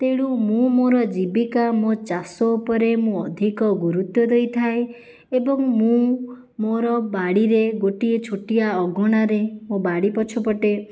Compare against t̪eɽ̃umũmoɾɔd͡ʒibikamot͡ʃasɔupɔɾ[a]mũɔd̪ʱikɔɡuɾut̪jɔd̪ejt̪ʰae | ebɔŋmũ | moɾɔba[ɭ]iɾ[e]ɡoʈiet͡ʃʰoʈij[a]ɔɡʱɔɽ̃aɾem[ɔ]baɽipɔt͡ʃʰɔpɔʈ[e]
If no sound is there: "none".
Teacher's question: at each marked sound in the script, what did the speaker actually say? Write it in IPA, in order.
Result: e, ɽ, e, a, o, e

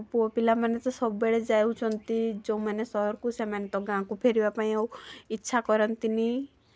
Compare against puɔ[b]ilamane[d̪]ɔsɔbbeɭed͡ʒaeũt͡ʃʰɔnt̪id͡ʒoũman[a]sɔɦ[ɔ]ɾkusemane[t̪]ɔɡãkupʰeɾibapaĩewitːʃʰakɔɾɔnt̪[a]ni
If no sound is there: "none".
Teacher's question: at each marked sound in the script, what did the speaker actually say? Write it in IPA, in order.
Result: p, t̪, e, ɔ, t̪, i

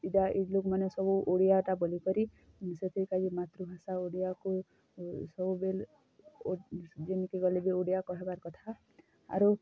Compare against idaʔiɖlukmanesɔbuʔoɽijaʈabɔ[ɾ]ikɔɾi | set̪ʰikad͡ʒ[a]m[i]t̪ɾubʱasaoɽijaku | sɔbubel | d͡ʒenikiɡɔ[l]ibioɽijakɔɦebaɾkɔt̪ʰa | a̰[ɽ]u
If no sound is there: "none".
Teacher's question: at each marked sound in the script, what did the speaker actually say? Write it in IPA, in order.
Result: l, i, a, l, ɾ

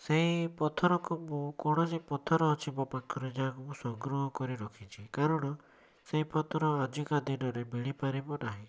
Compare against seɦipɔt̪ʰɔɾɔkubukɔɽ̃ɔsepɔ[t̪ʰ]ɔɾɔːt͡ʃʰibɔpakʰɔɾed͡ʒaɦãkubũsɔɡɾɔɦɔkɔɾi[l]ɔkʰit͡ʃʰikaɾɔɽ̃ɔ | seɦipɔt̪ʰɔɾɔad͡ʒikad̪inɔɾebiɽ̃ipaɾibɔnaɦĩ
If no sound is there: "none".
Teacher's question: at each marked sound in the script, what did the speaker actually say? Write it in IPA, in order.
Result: t̪ʰ, ɾ

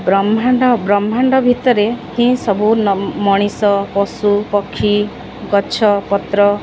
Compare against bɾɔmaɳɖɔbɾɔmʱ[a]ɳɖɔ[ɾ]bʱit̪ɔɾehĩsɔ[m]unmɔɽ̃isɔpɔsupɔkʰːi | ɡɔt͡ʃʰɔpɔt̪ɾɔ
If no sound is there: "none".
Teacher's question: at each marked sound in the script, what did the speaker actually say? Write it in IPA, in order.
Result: a, none, b

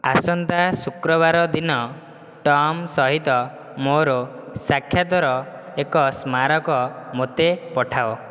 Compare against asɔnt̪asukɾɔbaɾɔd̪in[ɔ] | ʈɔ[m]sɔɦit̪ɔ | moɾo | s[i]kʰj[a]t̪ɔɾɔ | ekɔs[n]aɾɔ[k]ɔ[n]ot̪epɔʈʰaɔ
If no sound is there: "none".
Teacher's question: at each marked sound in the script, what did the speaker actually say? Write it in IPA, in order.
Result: ɔ, m, a, a, m, k, m

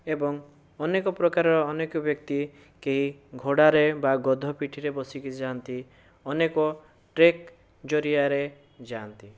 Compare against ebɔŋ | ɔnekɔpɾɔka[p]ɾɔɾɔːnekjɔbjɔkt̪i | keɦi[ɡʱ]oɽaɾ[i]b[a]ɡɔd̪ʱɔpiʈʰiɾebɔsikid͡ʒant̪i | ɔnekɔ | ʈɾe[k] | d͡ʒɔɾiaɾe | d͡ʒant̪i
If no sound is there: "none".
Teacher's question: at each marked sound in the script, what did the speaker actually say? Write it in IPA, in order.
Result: none, ɡʱ, e, a, k

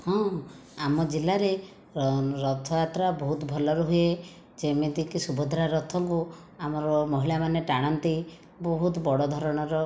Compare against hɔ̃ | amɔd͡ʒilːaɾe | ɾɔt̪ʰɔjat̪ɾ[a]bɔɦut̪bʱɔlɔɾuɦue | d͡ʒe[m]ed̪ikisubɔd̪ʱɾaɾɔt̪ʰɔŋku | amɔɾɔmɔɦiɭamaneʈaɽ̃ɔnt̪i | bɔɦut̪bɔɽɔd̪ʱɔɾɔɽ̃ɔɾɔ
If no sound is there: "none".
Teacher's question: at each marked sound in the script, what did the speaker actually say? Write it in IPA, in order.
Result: a, m

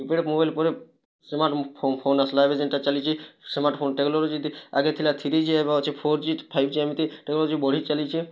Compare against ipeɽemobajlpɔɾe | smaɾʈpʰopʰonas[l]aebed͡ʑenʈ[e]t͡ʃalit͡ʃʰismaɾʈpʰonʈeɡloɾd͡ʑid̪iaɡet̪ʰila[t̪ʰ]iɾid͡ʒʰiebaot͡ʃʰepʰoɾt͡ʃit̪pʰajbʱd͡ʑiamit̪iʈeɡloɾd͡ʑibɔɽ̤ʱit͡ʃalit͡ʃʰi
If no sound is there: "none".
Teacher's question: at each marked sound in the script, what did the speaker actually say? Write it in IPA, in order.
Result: l, a, t̪ʰ

